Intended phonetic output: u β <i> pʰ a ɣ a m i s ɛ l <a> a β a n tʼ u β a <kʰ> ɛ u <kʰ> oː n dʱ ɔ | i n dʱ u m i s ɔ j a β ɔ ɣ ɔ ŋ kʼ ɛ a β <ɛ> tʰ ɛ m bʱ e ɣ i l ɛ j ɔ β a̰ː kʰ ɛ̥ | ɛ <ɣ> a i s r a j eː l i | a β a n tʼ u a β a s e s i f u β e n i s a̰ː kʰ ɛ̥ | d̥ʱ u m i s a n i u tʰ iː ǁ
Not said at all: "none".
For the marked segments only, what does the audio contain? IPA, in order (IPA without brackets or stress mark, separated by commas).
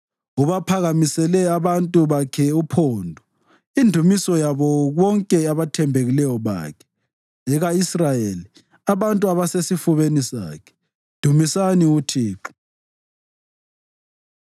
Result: a, ɛ, kʰ, pʰ, a, ɣ